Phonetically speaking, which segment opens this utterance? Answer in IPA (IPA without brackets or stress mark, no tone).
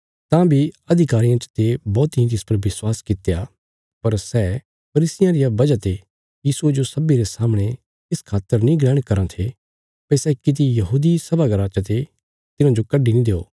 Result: t̪